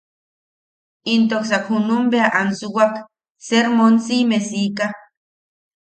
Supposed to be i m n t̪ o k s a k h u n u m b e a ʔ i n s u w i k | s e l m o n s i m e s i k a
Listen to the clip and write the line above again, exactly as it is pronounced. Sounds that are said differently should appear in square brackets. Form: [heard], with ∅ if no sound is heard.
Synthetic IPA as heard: i [∅] n t̪ o k s a k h u n u m b e a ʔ [a] n s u w [a] k | s e [ɾ] m o n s i m e s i k a